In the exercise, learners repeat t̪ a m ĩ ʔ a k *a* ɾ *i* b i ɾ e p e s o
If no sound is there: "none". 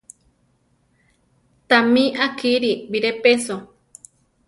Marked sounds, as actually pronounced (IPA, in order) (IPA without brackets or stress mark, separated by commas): i, i